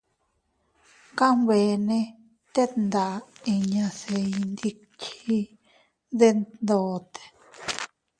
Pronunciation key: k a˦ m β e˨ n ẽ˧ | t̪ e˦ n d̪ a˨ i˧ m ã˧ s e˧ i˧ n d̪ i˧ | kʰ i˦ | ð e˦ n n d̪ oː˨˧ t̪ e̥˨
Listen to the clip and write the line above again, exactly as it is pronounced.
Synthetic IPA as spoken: k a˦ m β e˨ n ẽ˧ | t̪ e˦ n d̪ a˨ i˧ ɲ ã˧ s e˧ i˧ n d̪ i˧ | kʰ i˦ | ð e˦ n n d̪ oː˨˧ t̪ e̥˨